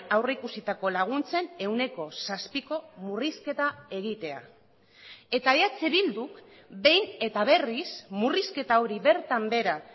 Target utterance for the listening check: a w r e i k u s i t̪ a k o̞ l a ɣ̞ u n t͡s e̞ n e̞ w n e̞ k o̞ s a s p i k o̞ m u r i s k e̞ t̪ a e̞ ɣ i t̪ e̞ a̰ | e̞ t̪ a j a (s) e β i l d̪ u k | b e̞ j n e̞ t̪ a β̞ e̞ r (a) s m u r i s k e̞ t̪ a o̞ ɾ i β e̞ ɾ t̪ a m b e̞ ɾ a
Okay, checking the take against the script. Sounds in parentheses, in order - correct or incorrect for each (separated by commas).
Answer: incorrect, incorrect